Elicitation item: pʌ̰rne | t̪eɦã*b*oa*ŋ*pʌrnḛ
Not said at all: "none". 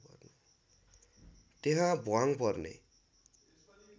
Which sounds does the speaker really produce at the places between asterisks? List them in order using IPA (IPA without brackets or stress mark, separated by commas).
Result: b, ŋ